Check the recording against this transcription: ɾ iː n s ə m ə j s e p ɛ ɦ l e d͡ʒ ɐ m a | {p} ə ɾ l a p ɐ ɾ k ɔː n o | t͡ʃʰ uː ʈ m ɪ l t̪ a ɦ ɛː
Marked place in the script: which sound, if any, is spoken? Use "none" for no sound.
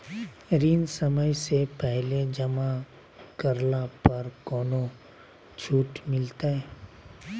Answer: k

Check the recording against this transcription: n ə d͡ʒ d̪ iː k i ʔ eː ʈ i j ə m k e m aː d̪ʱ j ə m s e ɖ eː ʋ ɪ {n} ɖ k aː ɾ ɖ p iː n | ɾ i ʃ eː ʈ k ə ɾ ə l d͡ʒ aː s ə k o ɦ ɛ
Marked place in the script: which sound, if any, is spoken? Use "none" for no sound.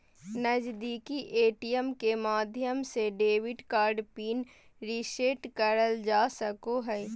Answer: none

